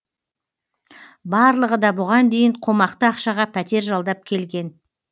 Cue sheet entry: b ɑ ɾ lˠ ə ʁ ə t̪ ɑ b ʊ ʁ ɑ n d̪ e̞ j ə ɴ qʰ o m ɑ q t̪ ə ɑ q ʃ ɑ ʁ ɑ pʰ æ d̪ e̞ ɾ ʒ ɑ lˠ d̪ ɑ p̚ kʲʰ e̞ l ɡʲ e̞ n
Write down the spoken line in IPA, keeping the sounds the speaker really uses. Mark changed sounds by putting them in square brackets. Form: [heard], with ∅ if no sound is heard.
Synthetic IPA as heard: b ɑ ɾ lˠ ə ʁ ə [d̪] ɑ b ʊ ʁ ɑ n d̪ e̞ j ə ɴ qʰ o m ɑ q t̪ ə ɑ q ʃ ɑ ʁ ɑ pʰ æ [t̪] e̞ ɾ ʒ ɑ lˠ d̪ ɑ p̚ kʲʰ e̞ l ɡʲ e̞ n